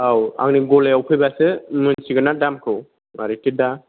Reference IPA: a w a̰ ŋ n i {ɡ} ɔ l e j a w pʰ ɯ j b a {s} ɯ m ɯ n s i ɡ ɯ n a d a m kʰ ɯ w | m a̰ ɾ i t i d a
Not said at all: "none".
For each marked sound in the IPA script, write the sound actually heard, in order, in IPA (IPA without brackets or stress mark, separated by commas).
ɡ, s